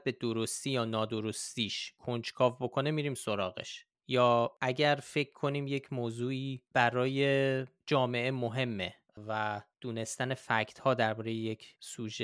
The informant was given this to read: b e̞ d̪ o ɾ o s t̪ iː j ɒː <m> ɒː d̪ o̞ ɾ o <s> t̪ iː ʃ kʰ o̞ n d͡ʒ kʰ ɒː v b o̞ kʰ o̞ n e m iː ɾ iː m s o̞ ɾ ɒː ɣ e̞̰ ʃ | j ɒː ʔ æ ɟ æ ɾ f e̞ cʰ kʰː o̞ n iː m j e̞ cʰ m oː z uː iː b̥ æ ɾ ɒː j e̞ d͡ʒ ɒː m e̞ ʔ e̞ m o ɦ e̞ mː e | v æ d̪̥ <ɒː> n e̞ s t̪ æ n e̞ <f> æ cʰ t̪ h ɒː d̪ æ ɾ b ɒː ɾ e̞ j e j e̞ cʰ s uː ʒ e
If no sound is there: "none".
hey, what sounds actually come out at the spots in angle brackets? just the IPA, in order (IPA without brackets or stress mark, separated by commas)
n, s, uː, f